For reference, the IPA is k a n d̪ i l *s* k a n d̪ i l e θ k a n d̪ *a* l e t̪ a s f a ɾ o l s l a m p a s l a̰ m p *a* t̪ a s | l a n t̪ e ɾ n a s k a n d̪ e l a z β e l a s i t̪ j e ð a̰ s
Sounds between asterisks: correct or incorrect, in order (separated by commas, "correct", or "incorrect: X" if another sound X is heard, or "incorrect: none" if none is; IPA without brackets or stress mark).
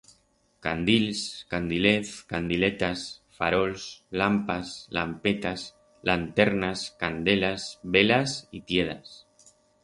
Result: correct, incorrect: i, incorrect: e